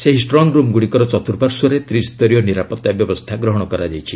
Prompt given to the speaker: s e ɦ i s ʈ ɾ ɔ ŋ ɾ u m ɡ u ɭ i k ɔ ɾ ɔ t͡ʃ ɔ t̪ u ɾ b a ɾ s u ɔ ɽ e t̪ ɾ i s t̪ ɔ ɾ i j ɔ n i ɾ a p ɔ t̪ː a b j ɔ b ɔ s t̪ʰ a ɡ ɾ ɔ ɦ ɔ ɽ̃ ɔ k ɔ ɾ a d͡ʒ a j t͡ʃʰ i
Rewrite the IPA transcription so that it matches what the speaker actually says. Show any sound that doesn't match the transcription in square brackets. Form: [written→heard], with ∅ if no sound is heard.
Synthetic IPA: s e ɦ i s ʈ ɾ ɔ ŋ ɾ u m ɡ u [ɭ→ɽ] i k ɔ ɾ ɔ t͡ʃ ɔ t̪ u ɾ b a ɾ s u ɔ [ɽ→ɾ] e t̪ ɾ i s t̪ ɔ ɾ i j ɔ n i ɾ a p ɔ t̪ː a b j ɔ b ɔ s t̪ʰ a ɡ ɾ ɔ ɦ ɔ ɽ̃ ɔ k ɔ ɾ a d͡ʒ a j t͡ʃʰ i

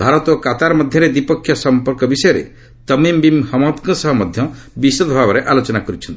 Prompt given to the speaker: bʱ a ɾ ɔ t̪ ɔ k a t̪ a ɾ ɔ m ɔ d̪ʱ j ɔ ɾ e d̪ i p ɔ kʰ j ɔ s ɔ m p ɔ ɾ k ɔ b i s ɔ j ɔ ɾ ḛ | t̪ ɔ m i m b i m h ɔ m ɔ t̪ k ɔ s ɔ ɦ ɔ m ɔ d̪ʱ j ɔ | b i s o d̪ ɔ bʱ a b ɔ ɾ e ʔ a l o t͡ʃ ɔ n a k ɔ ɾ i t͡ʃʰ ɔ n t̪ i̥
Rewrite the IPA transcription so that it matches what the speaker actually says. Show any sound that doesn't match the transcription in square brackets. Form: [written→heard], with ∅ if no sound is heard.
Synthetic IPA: bʱ a ɾ ɔ t̪ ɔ k a t̪ a ɾ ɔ m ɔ d̪ʱ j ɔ ɾ e d̪ i p ɔ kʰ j ɔ s ɔ m p ɔ ɾ k ɔ b i s ɔ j ɔ ɾ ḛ | t̪ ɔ m i m b i m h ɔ m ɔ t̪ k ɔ s ɔ ɦ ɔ m ɔ d̪ʱ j ɔ | b i s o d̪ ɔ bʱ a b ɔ ɾ e ʔ a l o t͡ʃ ɔ n a k ɔ ɾ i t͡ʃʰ ɔ n t̪ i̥

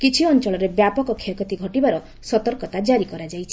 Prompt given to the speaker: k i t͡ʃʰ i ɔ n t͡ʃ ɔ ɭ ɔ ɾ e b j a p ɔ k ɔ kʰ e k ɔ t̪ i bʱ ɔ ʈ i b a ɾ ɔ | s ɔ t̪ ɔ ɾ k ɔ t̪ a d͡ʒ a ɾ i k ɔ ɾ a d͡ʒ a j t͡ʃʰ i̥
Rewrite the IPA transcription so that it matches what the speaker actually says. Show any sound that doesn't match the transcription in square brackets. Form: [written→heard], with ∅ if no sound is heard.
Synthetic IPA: k i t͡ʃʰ i ɔ n t͡ʃ ɔ ɭ ɔ ɾ e b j a p ɔ k ɔ kʰ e k ɔ t̪ i [bʱ→ɡʱ] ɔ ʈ i b a ɾ ɔ | s ɔ t̪ ɔ ɾ k ɔ t̪ a d͡ʒ a ɾ i k ɔ ɾ a d͡ʒ a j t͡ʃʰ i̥

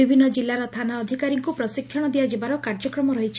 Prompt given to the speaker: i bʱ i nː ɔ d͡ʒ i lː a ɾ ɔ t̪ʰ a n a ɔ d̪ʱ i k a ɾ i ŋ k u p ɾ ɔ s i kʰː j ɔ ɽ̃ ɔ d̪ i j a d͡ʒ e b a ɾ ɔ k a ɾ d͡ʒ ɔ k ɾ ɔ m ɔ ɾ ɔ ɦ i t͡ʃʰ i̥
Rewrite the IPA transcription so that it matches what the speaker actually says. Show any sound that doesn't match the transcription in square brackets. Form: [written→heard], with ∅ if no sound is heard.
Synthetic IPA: i bʱ i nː ɔ d͡ʒ i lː a ɾ ɔ t̪ʰ a n a ɔ d̪ʱ i k a ɾ i ŋ k u p ɾ ɔ s i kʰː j ɔ ɽ̃ ɔ d̪ i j a d͡ʒ e b a ɾ ɔ k a ɾ d͡ʒ ɔ k ɾ ɔ m ɔ ɾ ɔ ɦ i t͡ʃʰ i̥

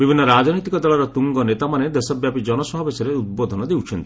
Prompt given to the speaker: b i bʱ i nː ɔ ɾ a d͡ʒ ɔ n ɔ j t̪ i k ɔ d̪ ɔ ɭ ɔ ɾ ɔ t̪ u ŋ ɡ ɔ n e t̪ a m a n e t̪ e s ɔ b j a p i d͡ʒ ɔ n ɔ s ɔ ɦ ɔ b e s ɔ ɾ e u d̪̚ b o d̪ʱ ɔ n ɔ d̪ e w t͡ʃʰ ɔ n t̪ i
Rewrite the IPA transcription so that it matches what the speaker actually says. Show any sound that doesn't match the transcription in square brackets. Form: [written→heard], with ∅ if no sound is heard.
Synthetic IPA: b i bʱ i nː ɔ ɾ a d͡ʒ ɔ n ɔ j t̪ i k ɔ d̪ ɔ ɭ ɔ ɾ ɔ t̪ u ŋ ɡ ɔ n e t̪ a m a n e [t̪→d̪] e s ɔ b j a p i d͡ʒ ɔ n ɔ s ɔ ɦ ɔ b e s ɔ ɾ e u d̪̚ b o d̪ʱ ɔ n ɔ d̪ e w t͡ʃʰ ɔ n t̪ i

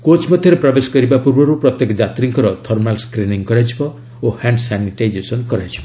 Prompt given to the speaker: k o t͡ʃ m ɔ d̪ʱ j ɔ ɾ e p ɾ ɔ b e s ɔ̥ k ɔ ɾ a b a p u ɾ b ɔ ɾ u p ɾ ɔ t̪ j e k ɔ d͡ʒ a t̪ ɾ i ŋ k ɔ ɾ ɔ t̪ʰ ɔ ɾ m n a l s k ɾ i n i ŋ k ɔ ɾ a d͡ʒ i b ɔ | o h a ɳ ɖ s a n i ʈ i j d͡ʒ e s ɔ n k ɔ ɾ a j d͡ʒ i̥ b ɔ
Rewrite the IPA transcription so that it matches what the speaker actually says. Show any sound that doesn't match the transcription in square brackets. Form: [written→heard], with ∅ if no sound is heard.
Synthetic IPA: k o t͡ʃ m ɔ d̪ʱ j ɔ ɾ e p ɾ ɔ b e s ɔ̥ k ɔ ɾ [a→i] b a p u ɾ b ɔ ɾ u p ɾ ɔ t̪ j e k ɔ d͡ʒ a t̪ ɾ i ŋ k ɔ ɾ ɔ t̪ʰ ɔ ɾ m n a l s k ɾ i n i ŋ k ɔ ɾ a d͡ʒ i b ɔ | o h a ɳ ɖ s a n i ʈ [i→a] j d͡ʒ e s ɔ n k ɔ ɾ a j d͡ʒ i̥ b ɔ

